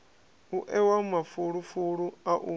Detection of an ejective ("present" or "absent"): absent